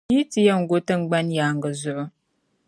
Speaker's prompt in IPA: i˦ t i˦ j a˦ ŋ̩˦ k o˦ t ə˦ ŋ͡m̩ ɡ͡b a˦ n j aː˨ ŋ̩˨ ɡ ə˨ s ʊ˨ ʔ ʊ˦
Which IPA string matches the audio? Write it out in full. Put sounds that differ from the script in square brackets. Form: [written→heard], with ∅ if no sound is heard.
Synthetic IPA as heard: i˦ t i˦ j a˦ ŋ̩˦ [k→ɡ] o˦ t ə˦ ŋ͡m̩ ɡ͡b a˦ n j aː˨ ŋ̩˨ ɡ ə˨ [s→z] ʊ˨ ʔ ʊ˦